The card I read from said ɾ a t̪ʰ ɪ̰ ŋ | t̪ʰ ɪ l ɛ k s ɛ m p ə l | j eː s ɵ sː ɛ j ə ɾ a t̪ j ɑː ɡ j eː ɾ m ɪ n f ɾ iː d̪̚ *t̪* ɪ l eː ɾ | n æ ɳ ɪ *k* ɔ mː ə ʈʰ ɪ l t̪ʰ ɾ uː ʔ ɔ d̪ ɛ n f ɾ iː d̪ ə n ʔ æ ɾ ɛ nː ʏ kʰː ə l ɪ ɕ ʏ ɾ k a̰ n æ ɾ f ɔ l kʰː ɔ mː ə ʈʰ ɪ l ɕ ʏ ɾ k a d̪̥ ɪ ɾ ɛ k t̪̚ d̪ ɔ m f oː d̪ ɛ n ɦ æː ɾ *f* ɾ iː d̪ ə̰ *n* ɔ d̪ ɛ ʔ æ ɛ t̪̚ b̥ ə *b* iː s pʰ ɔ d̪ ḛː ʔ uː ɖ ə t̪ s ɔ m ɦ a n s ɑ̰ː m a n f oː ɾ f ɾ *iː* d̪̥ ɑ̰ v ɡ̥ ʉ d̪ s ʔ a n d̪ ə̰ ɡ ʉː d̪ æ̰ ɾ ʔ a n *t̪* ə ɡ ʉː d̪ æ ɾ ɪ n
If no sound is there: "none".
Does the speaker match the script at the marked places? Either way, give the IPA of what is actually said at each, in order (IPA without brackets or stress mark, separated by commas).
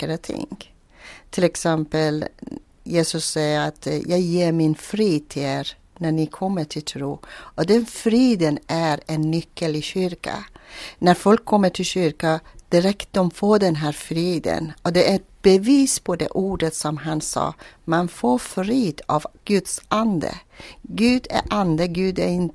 t̪ʰ, kʰ, f, n, v, iː, d̪